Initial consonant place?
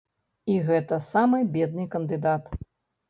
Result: velar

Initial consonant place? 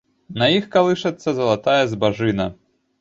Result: alveolar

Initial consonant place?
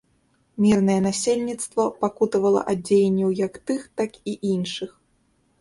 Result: labial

